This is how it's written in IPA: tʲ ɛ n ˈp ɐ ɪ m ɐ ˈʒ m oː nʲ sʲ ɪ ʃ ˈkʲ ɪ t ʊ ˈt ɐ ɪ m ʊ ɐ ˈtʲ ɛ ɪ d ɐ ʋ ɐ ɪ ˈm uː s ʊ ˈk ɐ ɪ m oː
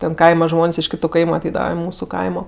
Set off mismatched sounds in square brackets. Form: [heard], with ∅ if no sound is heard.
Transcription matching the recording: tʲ ɛ n [ˈk] ɐ ɪ m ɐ ˈʒ m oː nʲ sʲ ɪ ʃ ˈkʲ ɪ t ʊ [ˈk] ɐ ɪ m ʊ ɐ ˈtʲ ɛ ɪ d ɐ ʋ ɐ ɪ ˈm uː s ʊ ˈk ɐ ɪ m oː